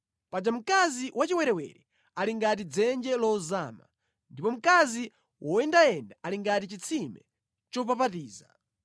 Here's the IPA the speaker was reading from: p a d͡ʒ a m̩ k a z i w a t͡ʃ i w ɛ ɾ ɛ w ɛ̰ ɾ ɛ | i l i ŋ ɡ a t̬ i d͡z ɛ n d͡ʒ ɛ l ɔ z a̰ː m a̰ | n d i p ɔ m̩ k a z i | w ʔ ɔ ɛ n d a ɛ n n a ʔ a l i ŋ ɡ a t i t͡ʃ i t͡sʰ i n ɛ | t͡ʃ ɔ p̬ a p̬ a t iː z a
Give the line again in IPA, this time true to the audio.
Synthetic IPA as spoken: p a d͡ʒ a m̩ k a z i w a t͡ʃ i w ɛ ɾ ɛ w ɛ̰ ɾ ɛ | a l i ŋ ɡ a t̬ i d͡z ɛ n d͡ʒ ɛ l ɔ z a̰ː m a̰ | n d i p ɔ m̩ k a z i | w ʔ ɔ ɛ n d a ɛ n d a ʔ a l i ŋ ɡ a t i t͡ʃ i t͡sʰ i m ɛ | t͡ʃ ɔ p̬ a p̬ a t iː z a